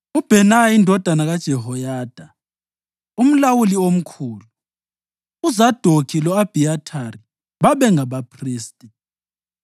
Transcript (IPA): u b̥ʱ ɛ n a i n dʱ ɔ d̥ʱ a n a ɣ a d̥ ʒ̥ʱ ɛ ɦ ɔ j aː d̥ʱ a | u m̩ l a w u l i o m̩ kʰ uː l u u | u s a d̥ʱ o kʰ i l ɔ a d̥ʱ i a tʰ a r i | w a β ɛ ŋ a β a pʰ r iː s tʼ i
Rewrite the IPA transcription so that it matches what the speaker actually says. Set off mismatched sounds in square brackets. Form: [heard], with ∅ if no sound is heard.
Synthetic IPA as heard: u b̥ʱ ɛ n a i n dʱ ɔ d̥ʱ a n a ɣ a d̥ ʒ̥ʱ ɛ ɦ ɔ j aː d̥ʱ a | u m̩ l a w u l i o m̩ kʰ uː l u u | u [z] a d̥ʱ o kʰ i l ɔ a [b̥ʱ] i a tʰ a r i | [β] a β ɛ ŋ a β a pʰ r iː s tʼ i